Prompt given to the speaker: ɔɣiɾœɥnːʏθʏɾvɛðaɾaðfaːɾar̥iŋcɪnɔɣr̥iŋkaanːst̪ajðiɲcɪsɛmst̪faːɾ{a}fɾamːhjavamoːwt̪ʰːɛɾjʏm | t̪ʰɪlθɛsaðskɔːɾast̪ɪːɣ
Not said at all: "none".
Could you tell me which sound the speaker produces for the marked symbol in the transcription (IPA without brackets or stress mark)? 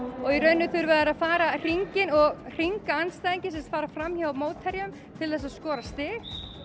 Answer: a